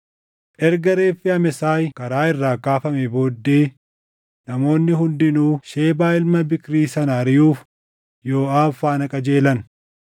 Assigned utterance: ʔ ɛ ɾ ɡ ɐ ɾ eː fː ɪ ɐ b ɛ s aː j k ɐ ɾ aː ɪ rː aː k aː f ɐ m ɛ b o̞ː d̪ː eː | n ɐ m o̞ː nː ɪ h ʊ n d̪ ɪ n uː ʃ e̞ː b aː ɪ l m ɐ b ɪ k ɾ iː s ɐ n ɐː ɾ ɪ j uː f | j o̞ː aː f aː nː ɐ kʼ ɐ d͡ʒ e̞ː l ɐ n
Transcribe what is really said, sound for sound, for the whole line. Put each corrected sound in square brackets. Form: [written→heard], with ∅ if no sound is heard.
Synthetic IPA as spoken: ʔ ɛ ɾ ɡ ɐ ɾ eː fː ɪ ɐ [b→m] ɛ s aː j k ɐ ɾ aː ɪ rː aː k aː f ɐ m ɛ b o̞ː d̪ː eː | n ɐ m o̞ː nː ɪ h ʊ n d̪ ɪ n uː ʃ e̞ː b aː ɪ l m ɐ b ɪ k ɾ iː s ɐ n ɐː ɾ ɪ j uː f | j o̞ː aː f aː [nː→n] ɐ kʼ ɐ d͡ʒ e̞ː l ɐ n